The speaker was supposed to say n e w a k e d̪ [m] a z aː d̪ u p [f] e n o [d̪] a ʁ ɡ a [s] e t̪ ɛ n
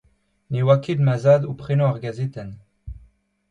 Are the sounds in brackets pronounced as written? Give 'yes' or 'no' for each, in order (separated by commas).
yes, no, no, no